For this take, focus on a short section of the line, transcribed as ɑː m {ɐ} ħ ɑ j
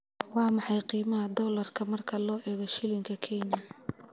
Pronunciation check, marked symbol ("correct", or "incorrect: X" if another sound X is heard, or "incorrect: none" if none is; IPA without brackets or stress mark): incorrect: ɑ